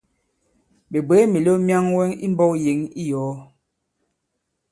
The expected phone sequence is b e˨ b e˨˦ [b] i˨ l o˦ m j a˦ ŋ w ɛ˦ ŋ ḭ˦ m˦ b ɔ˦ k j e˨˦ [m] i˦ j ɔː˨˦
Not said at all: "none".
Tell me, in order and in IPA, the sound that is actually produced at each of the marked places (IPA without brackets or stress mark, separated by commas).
m, ŋ